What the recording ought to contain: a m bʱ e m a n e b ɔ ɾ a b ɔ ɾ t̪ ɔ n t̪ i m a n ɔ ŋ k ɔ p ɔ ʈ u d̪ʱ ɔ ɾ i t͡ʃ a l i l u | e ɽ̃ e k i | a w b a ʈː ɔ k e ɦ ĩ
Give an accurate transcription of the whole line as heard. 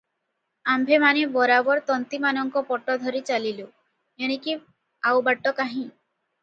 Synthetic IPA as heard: a m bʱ e m a n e b ɔ ɾ a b ɔ ɾ t̪ ɔ n t̪ i m a n ɔ ŋ k ɔ p ɔ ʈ ɔ d̪ʱ ɔ ɾ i t͡ʃ a l i l u | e ɽ̃ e k i | a w b a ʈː ɔ k a ɦ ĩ